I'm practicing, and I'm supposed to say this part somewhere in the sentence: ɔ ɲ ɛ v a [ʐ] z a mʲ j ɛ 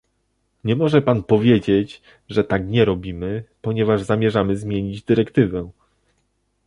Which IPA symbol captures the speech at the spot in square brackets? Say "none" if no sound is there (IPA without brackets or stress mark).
ʐ